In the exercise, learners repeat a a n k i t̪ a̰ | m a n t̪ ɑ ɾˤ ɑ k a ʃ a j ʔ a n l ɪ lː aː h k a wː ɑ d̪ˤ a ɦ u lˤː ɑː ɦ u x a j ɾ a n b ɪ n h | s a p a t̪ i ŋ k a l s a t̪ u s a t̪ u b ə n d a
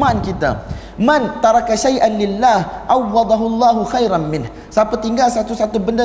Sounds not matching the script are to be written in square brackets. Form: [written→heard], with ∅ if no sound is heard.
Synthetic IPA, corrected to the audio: a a n k i t̪ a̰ | m a n t̪ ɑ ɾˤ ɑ k a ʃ a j ʔ a n l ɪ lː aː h [k→ʔ] a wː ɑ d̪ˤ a ɦ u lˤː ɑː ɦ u x a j ɾ a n [b→m] ɪ n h | s a p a t̪ i ŋ [k→ɡ] a l s a t̪ u s a t̪ u b ə n d a